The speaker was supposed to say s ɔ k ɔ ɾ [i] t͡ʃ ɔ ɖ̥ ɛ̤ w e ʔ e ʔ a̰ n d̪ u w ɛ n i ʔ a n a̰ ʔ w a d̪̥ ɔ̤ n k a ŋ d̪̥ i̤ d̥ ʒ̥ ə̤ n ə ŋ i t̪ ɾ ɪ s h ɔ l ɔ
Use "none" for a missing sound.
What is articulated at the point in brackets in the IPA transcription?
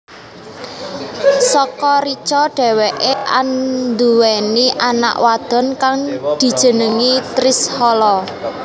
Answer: i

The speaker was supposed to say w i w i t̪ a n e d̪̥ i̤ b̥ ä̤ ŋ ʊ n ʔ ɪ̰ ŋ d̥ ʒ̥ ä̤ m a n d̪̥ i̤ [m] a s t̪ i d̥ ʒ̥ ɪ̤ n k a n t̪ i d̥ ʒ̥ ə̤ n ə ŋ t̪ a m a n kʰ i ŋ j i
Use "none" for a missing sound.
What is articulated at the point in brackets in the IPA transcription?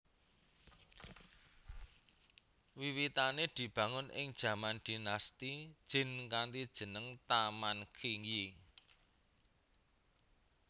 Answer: n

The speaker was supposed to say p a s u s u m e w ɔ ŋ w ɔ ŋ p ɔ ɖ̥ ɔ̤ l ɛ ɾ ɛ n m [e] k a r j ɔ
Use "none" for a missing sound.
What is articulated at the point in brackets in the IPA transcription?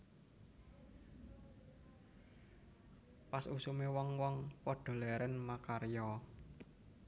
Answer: a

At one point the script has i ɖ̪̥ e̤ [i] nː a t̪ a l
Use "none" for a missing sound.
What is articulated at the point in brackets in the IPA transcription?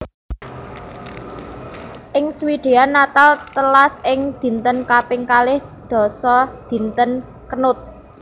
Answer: a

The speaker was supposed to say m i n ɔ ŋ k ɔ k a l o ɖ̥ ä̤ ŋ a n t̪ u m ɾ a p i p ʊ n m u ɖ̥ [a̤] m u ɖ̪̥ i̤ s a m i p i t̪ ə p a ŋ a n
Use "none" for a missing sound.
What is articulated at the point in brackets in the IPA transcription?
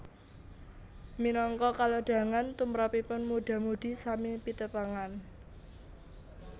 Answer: a̤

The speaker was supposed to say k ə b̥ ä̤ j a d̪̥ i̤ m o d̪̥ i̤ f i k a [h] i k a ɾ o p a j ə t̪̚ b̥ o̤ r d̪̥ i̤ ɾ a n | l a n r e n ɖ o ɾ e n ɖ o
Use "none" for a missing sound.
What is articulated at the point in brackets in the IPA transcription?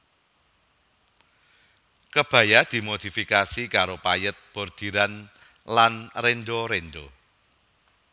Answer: s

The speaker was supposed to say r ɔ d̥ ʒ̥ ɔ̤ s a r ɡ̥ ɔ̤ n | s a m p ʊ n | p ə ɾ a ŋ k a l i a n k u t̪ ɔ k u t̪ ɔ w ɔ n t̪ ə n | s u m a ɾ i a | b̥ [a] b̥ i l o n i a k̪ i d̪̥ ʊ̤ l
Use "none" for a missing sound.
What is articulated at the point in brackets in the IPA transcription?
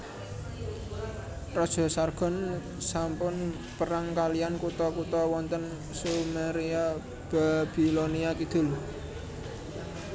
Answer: a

